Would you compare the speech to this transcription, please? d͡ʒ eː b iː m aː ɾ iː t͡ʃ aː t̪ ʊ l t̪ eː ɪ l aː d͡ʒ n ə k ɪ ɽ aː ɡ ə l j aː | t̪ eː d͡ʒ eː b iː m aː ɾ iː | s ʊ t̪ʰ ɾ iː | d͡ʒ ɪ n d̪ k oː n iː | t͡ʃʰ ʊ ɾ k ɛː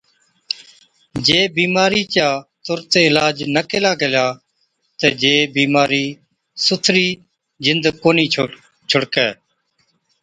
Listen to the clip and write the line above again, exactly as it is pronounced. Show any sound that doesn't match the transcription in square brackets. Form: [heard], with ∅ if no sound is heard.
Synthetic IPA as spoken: d͡ʒ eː b iː m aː ɾ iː t͡ʃ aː t̪ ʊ [ɾ] t̪ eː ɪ l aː d͡ʒ n ə k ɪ [l] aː ɡ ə l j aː | t̪ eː d͡ʒ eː b iː m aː ɾ iː | s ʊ t̪ʰ ɾ iː | d͡ʒ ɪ n d̪ k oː n iː | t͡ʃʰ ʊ [ɽ] k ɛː